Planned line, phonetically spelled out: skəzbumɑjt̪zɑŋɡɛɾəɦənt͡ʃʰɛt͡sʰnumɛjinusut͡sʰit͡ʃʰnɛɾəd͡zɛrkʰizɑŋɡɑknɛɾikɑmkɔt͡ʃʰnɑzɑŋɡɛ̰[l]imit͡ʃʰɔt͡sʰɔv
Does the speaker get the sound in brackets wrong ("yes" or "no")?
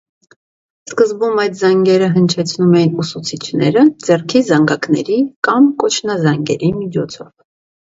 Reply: yes